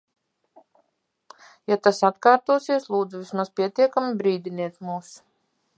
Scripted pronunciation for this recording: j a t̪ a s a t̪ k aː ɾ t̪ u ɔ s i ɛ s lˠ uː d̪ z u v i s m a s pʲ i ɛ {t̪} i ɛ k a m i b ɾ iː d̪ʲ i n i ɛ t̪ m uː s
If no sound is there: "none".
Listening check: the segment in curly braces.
t̪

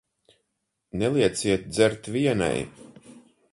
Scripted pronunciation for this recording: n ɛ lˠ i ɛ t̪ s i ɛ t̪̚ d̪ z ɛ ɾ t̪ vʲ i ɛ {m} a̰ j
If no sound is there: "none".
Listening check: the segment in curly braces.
n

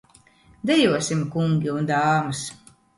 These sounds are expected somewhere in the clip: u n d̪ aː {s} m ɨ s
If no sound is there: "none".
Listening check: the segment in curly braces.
none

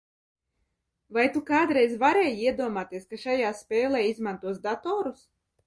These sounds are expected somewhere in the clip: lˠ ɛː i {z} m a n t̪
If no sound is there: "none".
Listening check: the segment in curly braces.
z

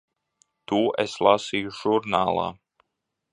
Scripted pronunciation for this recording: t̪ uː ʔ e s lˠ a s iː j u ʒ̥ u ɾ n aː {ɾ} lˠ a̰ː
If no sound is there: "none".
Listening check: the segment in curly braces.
none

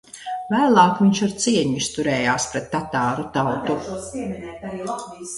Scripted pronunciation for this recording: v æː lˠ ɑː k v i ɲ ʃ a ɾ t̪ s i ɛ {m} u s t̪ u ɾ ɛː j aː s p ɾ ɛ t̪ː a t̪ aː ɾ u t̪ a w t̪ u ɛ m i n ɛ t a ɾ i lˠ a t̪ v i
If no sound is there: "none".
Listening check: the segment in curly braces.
ɲ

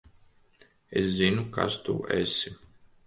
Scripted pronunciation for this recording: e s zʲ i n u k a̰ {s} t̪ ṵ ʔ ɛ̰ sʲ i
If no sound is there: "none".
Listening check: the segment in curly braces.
s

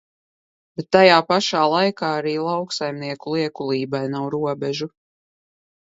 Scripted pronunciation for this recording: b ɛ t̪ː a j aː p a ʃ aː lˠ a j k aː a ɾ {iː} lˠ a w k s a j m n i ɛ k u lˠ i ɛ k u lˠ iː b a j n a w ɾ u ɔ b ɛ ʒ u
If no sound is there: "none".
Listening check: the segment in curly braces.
iː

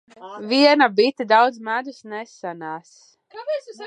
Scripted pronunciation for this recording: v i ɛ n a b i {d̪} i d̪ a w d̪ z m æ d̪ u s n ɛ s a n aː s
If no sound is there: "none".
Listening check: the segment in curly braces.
t̪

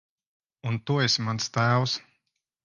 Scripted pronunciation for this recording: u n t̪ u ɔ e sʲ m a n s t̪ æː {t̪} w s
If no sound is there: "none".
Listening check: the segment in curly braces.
none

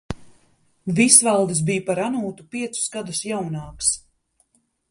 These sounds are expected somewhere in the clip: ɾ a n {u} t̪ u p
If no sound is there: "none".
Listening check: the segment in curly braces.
uː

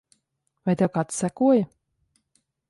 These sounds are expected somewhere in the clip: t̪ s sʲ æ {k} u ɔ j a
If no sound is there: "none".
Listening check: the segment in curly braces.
k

